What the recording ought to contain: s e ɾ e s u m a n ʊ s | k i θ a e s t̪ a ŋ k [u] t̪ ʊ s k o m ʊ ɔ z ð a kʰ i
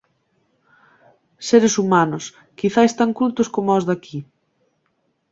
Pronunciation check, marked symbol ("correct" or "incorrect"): correct